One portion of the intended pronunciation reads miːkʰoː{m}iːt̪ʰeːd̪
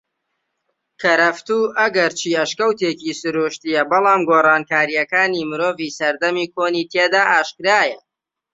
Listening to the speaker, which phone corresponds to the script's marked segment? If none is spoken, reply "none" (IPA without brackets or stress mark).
n